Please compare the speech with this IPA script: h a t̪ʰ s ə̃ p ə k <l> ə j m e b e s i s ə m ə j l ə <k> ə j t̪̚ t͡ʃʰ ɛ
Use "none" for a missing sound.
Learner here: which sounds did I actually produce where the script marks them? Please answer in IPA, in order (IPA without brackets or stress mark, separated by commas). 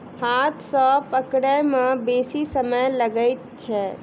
ɽ, ɡ